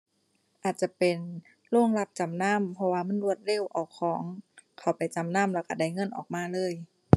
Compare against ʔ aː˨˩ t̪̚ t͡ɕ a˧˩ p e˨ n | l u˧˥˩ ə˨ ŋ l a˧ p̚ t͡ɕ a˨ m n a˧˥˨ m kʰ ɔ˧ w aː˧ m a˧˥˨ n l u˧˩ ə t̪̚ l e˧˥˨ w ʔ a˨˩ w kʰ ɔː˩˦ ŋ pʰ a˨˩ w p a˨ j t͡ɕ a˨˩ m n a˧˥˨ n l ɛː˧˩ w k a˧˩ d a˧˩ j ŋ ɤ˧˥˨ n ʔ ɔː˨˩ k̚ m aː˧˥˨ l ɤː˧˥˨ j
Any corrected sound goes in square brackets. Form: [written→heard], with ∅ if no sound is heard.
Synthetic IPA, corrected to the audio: ʔ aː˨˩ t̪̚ t͡ɕ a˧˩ p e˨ n | l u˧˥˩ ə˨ ŋ l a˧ p̚ t͡ɕ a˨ m n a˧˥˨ m [kʰ→pʰ] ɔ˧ w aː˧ m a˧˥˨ n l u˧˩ ə t̪̚ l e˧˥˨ w ʔ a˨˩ w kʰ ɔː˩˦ ŋ [pʰ→kʰ] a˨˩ w p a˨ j t͡ɕ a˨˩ m n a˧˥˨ [n→m] l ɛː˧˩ w k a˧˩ d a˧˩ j ŋ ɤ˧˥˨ n ʔ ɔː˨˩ k̚ m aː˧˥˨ l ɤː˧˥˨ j